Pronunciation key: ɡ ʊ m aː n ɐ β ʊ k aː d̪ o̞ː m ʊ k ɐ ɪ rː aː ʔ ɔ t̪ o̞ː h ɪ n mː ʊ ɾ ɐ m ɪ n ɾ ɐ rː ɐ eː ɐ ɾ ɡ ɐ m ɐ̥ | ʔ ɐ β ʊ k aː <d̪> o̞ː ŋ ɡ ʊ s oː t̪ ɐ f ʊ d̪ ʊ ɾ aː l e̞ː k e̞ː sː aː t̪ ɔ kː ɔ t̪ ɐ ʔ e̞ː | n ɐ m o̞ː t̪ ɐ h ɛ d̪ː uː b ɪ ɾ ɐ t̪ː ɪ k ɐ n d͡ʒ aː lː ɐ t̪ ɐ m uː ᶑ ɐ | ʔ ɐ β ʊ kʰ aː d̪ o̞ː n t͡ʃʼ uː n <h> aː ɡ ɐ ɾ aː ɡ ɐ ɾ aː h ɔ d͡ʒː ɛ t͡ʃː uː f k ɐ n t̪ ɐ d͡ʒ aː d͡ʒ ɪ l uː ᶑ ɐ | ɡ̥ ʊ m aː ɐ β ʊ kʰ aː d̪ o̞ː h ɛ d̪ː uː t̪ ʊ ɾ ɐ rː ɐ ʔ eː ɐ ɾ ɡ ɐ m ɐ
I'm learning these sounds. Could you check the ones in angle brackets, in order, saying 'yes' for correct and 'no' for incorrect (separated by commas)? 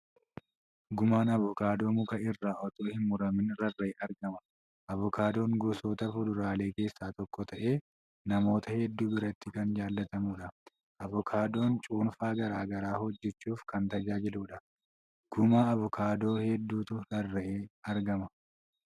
yes, no